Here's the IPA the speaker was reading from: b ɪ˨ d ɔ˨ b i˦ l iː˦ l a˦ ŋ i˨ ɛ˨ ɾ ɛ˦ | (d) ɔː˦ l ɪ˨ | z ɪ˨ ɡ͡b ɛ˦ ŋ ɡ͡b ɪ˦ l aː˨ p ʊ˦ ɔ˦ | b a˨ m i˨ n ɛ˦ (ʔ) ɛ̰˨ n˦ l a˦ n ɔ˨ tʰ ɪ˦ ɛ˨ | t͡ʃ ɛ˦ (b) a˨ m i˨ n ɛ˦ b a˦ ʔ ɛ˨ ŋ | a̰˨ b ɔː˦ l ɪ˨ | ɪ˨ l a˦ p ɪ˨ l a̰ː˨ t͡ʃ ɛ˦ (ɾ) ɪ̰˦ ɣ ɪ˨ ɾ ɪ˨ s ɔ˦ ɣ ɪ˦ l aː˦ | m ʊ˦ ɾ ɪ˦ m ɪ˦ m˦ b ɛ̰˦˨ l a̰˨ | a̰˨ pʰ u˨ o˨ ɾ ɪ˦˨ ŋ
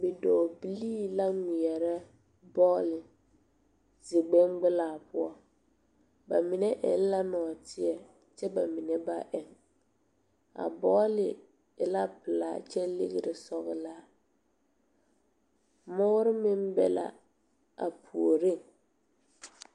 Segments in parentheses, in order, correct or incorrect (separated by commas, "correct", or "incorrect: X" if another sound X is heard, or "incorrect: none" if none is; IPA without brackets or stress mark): incorrect: b, correct, correct, incorrect: l